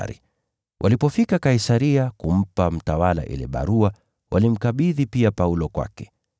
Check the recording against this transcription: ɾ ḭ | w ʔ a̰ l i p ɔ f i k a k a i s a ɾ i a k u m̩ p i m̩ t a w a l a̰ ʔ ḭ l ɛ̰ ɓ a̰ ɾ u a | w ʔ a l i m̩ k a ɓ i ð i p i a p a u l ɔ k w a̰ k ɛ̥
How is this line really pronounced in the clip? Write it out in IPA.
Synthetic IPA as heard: ɾ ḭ | w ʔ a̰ l i p ɔ f i k a k a i s a ɾ i a k u m̩ p a m̩ t a w a l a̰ ʔ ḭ l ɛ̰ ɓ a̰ ɾ u a | w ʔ a l i m̩ k a ɓ i ð i p i a p a u l ɔ k w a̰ k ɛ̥